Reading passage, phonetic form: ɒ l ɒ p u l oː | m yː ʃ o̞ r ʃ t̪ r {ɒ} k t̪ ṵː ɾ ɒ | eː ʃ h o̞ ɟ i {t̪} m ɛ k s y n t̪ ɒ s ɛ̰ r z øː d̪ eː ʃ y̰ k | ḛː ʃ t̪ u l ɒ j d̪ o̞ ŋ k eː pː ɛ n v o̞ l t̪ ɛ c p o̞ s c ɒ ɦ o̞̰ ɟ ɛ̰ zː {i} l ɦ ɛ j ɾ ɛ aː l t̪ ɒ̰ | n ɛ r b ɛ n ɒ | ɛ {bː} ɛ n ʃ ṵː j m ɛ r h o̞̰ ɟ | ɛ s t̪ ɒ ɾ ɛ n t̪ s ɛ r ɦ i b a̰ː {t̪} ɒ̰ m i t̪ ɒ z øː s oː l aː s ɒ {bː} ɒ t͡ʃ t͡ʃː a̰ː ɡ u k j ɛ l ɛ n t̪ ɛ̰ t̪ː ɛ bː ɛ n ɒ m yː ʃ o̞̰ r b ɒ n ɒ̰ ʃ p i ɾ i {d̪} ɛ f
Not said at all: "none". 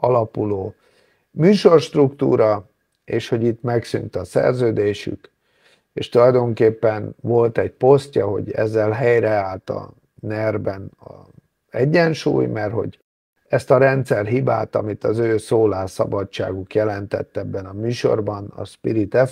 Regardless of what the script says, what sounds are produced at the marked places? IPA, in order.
u, t̪, ɛ, ɟː, t̪, b, t̪

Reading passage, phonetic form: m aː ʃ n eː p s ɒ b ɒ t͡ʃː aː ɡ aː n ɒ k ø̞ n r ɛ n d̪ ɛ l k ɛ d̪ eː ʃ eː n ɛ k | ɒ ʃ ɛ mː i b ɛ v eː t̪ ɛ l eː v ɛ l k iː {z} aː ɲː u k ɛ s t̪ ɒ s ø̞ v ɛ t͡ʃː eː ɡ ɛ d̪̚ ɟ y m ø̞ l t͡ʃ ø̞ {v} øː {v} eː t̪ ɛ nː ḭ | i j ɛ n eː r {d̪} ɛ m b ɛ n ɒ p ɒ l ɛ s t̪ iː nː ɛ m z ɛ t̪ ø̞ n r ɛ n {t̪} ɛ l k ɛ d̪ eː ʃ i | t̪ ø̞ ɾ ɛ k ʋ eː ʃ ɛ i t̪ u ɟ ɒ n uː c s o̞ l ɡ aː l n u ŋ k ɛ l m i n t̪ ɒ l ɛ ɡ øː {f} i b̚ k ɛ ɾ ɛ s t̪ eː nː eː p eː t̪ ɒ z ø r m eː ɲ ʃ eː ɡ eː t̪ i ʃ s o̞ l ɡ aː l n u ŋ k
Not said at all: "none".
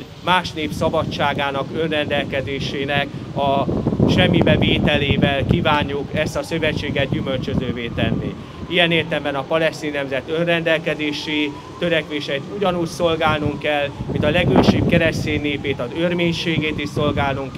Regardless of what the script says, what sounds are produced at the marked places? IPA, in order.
v, z, v, t̪, d̪, ʃ

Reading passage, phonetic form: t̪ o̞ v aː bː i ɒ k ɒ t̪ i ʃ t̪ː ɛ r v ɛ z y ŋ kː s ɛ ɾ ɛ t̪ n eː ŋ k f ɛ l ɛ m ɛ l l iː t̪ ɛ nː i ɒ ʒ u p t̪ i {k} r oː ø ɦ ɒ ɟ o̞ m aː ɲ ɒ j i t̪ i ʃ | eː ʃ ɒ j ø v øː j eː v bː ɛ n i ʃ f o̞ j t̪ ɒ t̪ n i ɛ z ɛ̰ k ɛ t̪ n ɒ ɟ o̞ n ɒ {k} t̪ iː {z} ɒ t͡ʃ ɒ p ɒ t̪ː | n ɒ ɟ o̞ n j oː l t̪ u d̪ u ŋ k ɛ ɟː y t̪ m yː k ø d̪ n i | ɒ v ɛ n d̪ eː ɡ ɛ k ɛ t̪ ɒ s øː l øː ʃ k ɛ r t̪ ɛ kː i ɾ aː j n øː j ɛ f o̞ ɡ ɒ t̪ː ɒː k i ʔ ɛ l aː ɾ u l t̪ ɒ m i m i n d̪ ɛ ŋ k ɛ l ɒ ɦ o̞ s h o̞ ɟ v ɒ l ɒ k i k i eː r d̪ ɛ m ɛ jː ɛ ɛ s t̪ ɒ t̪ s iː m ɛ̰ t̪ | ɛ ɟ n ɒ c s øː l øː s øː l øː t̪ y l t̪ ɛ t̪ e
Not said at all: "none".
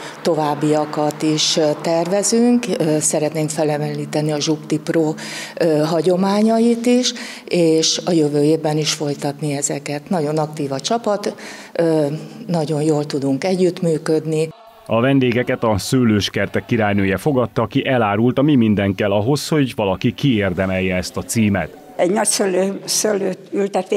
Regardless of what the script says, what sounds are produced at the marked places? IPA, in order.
p, k, v

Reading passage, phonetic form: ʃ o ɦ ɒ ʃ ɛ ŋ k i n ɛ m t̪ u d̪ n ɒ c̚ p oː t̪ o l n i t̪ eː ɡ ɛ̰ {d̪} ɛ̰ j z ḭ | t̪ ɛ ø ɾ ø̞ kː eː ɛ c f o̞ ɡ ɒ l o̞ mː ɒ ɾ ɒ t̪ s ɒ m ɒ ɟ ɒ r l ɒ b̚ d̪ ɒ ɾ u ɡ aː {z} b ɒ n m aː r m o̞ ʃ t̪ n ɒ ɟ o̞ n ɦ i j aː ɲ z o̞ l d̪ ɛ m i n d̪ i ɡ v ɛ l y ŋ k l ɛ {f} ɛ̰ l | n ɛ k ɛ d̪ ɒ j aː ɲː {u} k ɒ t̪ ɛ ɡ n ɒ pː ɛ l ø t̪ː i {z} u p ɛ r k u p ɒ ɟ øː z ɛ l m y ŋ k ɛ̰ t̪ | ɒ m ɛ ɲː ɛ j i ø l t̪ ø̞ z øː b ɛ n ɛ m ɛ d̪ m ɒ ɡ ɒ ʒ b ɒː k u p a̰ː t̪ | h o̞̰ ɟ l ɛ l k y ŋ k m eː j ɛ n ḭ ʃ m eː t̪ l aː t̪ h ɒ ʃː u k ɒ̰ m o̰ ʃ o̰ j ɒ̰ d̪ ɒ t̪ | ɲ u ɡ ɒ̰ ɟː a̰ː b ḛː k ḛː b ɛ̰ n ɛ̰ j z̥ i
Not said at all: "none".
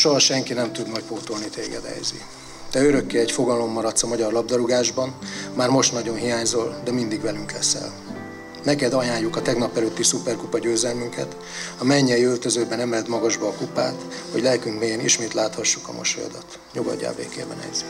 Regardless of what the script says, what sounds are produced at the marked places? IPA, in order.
d̪, ʒ, s, u, s

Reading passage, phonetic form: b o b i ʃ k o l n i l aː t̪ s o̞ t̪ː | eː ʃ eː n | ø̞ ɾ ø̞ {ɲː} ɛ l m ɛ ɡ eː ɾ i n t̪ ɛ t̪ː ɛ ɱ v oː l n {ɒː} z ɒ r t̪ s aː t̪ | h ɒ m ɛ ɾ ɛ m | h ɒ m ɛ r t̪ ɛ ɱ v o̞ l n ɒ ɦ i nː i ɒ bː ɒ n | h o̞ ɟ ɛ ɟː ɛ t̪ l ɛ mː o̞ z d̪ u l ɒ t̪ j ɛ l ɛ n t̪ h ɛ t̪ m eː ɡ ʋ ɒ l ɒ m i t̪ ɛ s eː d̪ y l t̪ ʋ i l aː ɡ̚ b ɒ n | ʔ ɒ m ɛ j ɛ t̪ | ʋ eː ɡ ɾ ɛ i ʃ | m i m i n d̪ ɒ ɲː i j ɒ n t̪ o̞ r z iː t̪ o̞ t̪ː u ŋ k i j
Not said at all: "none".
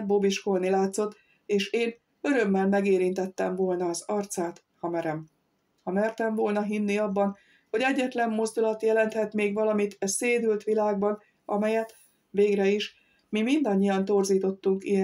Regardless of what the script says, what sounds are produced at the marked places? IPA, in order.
mː, ɒː

